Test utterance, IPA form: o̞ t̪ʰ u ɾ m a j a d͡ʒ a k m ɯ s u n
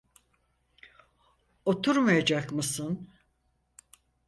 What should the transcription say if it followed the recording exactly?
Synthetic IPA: o̞ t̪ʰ u ɾ m a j a d͡ʒ a k m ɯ s ɯ n